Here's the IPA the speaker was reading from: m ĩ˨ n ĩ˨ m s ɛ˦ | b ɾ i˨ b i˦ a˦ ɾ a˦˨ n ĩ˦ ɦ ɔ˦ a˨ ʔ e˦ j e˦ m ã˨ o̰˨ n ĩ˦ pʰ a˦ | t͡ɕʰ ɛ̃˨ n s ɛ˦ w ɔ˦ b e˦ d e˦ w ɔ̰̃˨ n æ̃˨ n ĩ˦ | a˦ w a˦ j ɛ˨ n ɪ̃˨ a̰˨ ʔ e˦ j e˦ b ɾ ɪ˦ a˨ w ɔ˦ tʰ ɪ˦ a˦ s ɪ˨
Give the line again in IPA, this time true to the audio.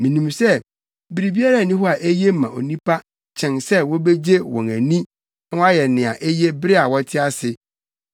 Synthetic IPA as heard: m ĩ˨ n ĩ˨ m s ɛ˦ | b ɾ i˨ b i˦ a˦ ɾ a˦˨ n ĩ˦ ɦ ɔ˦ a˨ ʔ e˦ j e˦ m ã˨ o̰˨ n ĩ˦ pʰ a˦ | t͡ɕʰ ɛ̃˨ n s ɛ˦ w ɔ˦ b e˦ d͡ʑ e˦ w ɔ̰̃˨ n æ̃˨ n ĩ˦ | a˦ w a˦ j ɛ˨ n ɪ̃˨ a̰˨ ʔ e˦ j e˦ b ɾ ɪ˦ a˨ w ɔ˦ tʰ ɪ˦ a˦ s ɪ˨